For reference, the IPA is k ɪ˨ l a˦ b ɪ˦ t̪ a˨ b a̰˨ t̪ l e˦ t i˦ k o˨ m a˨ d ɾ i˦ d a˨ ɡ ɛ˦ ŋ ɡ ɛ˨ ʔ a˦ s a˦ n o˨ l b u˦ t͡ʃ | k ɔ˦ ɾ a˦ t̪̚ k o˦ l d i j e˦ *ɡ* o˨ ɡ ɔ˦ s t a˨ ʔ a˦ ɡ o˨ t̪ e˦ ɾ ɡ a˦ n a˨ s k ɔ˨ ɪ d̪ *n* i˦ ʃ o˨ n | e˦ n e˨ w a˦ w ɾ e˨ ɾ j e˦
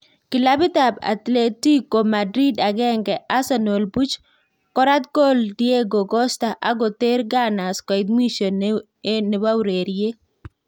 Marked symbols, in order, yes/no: yes, no

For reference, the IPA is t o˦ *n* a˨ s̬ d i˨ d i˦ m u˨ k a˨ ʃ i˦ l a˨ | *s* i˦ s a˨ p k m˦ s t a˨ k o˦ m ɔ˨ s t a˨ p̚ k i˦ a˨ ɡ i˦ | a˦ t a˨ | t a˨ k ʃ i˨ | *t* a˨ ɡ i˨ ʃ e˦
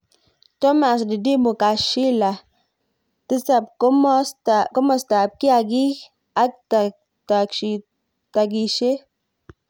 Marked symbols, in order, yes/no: no, no, yes

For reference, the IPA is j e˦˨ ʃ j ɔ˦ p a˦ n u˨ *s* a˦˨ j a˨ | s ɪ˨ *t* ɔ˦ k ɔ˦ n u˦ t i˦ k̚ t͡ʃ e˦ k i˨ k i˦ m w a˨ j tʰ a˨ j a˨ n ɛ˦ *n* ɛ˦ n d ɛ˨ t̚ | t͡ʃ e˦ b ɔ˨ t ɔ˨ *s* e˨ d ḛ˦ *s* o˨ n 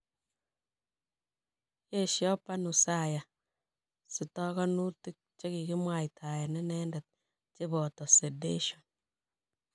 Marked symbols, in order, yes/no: yes, yes, yes, yes, no

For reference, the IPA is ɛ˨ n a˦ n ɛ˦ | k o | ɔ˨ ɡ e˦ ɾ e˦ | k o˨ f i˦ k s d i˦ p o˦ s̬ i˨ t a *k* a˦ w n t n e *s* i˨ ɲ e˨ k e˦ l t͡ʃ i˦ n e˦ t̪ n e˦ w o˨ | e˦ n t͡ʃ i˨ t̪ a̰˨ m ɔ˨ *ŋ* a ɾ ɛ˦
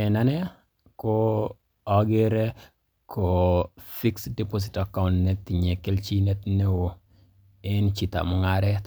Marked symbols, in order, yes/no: yes, no, yes

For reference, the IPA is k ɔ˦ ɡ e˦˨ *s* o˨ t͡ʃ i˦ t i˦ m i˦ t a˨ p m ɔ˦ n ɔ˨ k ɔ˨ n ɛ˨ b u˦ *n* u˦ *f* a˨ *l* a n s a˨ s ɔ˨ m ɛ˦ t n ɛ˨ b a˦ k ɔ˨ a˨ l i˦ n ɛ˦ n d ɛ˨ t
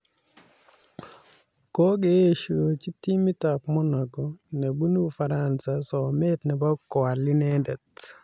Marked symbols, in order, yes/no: no, yes, yes, no

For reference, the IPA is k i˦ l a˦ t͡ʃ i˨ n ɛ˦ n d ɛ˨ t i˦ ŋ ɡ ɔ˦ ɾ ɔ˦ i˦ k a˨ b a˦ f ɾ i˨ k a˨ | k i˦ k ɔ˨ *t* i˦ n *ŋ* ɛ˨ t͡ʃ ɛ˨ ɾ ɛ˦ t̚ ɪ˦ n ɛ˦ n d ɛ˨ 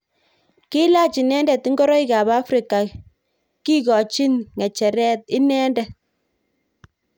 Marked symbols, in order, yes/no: no, yes

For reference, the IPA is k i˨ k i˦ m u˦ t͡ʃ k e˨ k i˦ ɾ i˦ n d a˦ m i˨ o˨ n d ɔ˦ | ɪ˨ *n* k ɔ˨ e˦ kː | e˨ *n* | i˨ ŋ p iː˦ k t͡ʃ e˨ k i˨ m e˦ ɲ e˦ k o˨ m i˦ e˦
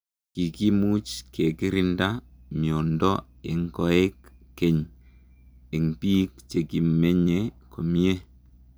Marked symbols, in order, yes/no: no, no

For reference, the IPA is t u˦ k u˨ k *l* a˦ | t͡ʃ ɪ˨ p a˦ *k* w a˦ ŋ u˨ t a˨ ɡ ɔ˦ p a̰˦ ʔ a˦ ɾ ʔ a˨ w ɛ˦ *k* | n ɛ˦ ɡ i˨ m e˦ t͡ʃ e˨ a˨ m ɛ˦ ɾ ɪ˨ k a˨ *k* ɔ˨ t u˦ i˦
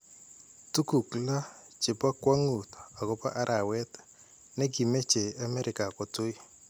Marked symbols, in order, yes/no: yes, yes, no, yes

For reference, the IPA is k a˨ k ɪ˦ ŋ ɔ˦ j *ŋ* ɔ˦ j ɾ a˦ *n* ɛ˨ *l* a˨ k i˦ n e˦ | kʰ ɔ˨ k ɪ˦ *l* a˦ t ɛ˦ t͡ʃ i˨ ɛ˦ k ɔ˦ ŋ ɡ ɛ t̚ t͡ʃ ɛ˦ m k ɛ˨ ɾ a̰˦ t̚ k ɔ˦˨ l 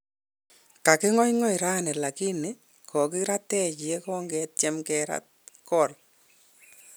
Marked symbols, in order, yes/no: yes, yes, yes, no

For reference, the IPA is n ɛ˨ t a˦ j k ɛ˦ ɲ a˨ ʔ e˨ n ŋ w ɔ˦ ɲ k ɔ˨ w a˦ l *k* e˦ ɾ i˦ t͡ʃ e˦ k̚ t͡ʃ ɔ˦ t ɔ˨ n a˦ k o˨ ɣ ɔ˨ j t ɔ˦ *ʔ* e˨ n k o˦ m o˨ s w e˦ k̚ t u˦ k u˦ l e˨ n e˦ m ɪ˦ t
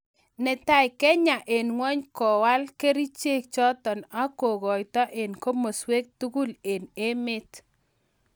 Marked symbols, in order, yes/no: yes, yes

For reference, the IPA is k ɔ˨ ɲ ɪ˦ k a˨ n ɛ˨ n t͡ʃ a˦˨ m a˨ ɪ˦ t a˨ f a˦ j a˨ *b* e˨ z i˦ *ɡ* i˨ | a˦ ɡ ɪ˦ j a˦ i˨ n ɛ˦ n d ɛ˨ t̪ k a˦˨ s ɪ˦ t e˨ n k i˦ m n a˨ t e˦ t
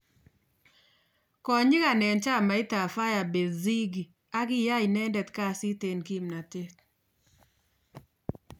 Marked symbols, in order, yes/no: yes, yes

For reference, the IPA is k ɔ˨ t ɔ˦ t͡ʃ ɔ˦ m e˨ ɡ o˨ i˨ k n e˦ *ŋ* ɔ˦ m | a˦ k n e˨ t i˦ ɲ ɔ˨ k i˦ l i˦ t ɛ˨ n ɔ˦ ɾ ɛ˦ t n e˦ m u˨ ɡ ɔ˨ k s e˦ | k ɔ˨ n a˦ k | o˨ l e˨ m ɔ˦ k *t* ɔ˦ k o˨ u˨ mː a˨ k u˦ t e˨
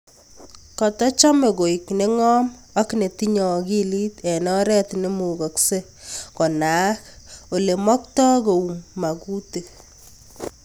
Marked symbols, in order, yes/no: yes, yes

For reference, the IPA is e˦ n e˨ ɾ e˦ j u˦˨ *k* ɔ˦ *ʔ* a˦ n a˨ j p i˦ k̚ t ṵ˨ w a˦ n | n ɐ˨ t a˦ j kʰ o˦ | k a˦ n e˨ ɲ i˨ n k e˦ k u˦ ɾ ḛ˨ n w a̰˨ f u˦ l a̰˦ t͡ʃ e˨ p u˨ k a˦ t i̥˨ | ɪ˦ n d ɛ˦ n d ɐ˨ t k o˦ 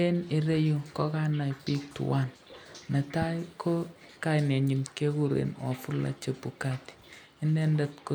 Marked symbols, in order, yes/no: yes, no

